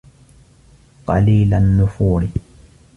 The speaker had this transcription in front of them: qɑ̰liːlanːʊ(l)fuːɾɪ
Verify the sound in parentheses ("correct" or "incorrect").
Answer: incorrect